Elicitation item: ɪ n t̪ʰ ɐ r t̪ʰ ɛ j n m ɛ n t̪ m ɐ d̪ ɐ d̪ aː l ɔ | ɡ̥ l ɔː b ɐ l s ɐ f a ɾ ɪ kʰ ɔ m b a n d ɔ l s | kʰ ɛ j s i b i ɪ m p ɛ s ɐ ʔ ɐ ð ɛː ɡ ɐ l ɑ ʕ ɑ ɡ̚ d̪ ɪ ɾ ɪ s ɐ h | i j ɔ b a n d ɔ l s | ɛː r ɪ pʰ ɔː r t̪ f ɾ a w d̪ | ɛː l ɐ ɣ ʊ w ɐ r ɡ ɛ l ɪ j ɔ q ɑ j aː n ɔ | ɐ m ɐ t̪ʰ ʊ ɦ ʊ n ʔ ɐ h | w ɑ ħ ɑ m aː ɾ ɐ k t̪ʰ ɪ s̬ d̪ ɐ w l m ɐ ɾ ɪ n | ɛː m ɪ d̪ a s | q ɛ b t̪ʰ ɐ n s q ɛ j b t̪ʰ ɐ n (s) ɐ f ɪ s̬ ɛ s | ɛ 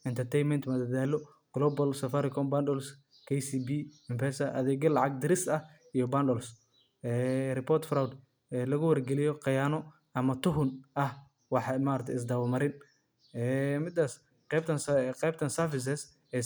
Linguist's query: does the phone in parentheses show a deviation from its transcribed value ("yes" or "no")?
no